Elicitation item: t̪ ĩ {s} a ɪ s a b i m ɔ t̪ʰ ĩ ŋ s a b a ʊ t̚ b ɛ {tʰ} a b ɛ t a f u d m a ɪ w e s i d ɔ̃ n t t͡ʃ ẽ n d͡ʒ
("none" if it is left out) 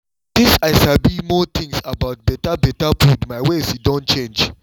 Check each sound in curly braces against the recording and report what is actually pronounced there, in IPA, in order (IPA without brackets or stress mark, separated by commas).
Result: s, t